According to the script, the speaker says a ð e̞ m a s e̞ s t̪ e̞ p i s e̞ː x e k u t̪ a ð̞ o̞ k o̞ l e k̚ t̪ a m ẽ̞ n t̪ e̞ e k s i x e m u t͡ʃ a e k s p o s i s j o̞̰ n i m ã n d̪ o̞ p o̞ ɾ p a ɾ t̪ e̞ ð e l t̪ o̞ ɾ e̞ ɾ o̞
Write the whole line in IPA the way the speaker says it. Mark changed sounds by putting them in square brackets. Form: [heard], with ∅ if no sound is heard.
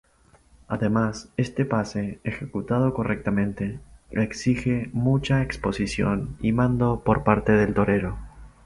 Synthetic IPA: a ð e̞ m a s e̞ s t̪ e̞ p [a] s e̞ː x e k u t̪ a ð̞ o̞ k o̞ [r] e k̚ t̪ a m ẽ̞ n t̪ e̞ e k s i x e m u t͡ʃ a e k s p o s i s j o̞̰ n i m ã n d̪ o̞ p o̞ ɾ p a ɾ t̪ e̞ ð e l t̪ o̞ ɾ e̞ ɾ o̞